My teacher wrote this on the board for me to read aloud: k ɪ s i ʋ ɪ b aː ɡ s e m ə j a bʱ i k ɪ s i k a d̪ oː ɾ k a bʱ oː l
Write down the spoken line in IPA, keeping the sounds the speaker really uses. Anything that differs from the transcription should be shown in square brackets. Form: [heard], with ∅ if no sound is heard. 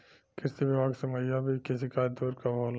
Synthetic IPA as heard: k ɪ s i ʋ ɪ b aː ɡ s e m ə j a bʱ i k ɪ s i k a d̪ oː ɾ k a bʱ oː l